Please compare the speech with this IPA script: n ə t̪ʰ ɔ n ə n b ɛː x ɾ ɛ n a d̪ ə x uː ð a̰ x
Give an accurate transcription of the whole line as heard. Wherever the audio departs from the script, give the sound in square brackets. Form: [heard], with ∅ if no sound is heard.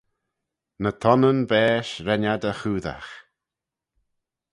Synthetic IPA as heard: n ə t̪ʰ ɔ n ə n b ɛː [ʃ] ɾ ɛ n a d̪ ə x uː ð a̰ x